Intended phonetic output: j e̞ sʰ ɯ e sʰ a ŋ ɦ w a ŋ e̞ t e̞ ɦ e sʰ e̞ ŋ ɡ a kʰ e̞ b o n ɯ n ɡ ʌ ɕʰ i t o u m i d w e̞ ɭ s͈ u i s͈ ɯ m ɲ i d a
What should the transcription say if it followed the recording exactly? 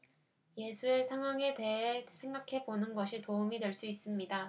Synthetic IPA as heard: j e̞ sʰ u e sʰ a ŋ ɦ w a ŋ e̞ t e̞ ɦ e sʰ e̞ ŋ ɡ a kʰ e̞ b o n ɯ n ɡ ʌ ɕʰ i t o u m i d w e̞ ɭ s͈ u i s͈ ɯ m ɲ i d a